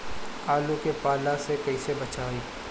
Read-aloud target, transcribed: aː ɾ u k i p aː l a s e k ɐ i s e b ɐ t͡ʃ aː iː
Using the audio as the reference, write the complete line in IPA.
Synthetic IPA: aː l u k e p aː l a s e k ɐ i s e b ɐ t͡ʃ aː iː